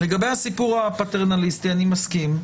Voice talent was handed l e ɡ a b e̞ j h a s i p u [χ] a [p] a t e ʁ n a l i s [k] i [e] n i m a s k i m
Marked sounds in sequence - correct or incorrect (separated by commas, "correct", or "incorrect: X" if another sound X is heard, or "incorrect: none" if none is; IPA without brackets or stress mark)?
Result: incorrect: ʁ, correct, incorrect: t, incorrect: a